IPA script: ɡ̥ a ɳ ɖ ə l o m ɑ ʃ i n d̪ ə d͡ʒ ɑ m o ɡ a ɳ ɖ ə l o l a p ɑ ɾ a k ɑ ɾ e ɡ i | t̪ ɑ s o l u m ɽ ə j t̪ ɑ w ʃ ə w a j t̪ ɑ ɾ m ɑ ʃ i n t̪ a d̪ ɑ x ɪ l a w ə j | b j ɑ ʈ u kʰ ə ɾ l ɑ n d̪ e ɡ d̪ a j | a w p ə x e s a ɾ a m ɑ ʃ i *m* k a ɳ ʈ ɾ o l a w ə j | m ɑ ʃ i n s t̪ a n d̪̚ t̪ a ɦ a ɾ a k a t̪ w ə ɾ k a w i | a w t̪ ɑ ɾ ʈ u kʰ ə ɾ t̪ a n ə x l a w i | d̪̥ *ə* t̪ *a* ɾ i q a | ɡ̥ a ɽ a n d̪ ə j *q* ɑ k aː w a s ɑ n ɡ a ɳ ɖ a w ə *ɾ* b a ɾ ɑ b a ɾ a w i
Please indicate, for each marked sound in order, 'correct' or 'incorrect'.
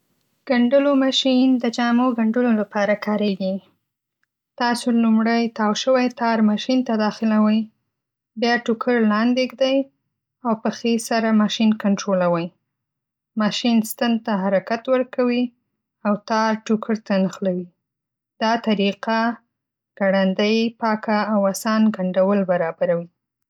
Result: incorrect: n, incorrect: ɑ, correct, incorrect: p, incorrect: l

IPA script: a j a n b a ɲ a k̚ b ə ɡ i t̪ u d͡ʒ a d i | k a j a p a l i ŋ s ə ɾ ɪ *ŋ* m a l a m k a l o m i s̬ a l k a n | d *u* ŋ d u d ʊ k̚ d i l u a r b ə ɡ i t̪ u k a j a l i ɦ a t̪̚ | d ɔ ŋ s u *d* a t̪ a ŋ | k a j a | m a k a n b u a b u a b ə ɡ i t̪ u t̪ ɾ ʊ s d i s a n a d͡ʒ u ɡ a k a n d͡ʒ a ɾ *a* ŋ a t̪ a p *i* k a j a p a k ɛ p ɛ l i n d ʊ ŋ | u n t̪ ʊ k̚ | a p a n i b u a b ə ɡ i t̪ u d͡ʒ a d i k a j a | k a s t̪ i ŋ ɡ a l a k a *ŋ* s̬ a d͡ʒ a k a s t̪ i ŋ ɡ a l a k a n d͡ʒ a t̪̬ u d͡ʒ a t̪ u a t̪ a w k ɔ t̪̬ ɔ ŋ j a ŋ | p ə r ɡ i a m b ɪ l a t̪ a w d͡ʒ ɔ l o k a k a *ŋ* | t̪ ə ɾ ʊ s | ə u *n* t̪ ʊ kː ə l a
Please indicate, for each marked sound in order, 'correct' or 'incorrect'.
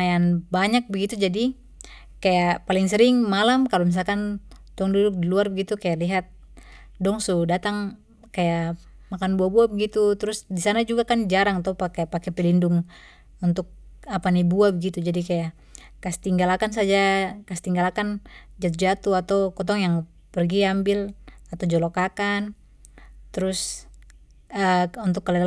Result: correct, incorrect: ɔ, correct, correct, incorrect: a, incorrect: n, incorrect: n, correct

